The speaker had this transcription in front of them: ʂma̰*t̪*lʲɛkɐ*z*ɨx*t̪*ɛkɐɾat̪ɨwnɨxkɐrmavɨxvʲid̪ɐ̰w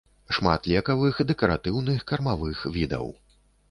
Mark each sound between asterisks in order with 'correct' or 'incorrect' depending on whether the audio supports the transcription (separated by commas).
correct, incorrect, incorrect